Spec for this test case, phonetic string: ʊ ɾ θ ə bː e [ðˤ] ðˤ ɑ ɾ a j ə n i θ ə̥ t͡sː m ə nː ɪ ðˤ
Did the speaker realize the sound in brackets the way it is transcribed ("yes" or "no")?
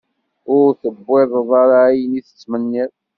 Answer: yes